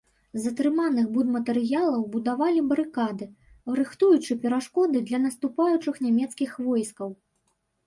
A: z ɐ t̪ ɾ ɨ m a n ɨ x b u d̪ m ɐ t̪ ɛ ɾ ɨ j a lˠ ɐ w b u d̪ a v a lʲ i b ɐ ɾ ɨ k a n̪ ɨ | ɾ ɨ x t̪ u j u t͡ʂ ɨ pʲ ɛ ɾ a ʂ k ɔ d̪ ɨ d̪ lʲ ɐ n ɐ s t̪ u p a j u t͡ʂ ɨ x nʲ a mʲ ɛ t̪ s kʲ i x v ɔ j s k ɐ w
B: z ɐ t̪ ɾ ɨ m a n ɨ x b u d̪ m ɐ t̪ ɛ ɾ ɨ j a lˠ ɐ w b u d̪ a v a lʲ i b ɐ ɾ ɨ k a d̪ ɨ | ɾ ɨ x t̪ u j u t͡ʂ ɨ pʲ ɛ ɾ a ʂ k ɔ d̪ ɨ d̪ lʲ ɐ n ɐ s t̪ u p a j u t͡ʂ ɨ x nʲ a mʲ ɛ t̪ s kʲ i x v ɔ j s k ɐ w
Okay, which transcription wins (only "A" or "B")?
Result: B